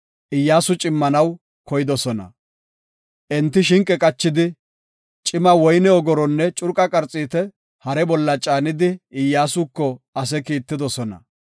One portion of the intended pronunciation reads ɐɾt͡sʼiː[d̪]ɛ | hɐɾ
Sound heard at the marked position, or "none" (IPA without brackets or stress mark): t̪